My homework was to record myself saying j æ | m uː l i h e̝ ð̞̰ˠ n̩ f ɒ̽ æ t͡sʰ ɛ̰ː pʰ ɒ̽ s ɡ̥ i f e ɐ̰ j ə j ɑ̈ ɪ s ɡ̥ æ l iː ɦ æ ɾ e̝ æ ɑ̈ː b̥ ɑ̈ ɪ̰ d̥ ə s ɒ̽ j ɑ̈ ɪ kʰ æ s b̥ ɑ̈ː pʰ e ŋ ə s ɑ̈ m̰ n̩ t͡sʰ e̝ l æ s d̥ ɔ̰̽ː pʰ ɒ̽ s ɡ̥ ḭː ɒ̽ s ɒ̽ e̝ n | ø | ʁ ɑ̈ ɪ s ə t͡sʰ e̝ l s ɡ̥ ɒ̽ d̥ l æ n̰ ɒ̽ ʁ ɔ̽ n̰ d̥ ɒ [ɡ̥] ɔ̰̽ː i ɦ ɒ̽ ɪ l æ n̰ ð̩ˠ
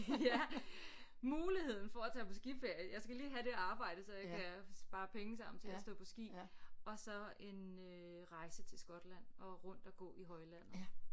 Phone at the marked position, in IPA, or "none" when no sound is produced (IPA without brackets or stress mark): ɡ̥